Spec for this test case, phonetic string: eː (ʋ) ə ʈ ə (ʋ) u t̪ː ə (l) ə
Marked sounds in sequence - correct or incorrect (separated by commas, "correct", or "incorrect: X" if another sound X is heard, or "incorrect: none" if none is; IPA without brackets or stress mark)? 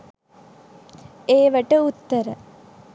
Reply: correct, incorrect: none, incorrect: ɾ